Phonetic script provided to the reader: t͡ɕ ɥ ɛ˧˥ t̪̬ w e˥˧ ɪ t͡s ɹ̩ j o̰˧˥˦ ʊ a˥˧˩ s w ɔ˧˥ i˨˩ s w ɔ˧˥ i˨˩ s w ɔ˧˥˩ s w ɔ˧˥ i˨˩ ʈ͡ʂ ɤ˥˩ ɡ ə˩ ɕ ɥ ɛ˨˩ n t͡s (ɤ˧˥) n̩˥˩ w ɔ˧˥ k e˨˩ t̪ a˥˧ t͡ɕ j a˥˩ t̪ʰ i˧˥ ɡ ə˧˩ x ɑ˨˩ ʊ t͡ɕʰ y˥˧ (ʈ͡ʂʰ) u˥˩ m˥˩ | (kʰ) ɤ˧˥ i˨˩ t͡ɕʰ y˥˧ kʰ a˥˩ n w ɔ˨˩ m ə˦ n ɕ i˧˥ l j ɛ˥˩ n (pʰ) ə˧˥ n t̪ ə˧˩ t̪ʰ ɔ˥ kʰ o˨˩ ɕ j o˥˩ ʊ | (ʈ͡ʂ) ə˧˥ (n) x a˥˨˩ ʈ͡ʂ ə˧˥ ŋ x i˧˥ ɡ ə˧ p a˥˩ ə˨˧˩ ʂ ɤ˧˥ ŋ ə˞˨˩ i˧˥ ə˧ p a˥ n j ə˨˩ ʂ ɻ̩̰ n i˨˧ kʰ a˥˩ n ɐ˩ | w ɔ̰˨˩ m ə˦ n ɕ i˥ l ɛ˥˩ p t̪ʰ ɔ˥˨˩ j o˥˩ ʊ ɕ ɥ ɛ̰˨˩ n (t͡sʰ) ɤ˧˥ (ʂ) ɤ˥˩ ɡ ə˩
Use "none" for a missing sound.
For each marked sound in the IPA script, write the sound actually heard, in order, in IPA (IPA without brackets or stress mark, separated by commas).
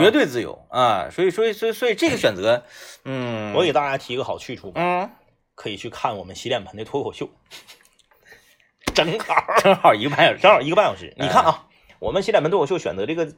ɤ˧˥, ʈ͡ʂʰ, kʰ, pʰ, ʈ͡ʂ, ŋ, t͡s, ʈ͡ʂ